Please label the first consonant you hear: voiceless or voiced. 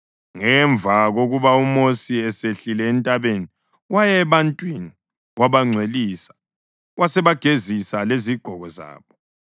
voiced